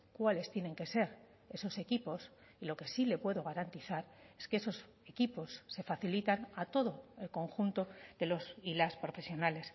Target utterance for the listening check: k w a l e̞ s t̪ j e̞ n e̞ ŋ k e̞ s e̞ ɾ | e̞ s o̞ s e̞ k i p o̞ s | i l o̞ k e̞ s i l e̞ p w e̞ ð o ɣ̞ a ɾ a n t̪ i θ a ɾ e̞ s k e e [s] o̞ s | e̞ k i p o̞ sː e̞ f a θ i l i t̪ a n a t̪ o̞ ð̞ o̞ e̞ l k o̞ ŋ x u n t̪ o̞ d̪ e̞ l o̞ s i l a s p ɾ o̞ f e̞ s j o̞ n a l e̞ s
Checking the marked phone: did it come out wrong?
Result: no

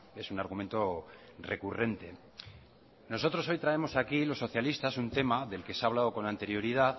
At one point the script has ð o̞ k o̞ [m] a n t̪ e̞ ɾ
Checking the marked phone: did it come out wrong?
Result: yes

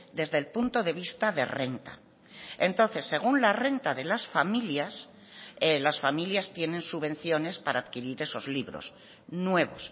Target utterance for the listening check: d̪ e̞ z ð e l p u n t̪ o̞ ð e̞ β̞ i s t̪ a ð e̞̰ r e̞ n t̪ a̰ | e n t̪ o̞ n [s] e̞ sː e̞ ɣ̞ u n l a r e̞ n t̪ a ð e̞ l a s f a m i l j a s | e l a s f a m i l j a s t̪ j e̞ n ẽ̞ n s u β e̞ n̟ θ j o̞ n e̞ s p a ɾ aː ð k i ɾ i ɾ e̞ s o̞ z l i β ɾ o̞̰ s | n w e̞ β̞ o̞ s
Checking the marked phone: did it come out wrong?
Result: yes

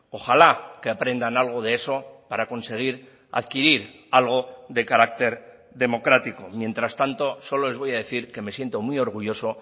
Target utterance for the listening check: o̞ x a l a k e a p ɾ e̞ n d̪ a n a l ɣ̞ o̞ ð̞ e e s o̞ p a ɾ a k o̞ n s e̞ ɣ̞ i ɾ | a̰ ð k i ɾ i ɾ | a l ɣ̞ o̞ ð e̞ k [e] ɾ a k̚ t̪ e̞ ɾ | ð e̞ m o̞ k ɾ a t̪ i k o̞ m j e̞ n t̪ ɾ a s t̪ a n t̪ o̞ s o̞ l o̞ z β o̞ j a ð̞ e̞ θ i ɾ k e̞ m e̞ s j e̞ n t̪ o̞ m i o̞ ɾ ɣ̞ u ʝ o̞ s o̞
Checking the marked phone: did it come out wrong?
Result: yes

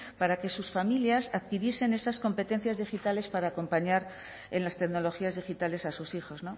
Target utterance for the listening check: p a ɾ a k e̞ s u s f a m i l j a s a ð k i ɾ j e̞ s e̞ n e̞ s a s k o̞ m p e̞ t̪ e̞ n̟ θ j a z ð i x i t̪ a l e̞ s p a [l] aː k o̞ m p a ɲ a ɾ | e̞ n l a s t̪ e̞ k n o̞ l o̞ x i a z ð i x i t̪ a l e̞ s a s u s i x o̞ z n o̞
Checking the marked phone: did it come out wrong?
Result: yes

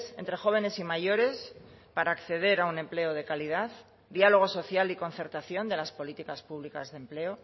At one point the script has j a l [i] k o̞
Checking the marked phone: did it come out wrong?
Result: no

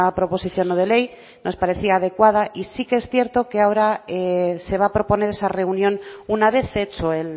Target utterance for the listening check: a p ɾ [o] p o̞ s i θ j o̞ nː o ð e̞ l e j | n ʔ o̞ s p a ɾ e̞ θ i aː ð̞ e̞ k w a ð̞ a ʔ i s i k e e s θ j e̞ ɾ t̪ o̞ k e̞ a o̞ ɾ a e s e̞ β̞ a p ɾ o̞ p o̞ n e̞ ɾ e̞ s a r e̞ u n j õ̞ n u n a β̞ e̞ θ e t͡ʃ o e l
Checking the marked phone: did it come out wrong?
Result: no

